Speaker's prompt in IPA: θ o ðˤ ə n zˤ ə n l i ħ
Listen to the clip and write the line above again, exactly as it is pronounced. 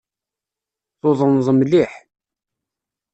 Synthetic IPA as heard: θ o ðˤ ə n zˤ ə m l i ħ